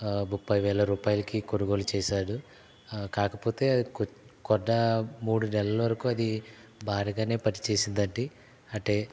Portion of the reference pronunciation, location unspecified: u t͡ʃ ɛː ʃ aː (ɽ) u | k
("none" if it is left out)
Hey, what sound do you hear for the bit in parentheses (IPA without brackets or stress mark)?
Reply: ɽ